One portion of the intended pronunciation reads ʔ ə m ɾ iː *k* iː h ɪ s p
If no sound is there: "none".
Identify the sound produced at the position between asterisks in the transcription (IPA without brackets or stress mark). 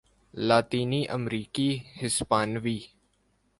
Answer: k